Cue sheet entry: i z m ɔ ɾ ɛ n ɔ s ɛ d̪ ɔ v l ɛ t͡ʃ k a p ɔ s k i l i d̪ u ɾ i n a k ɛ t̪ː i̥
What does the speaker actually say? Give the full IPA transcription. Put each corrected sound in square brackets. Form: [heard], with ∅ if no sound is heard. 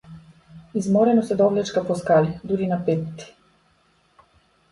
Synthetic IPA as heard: i z m ɔ ɾ ɛ n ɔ s ɛ d̪ ɔ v l ɛ t͡ʃ k a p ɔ s k [a] l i d̪ u ɾ i n a [p] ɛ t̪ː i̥